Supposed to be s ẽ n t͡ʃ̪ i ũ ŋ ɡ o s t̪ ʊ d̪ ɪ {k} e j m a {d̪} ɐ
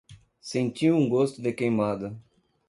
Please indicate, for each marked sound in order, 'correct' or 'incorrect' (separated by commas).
correct, correct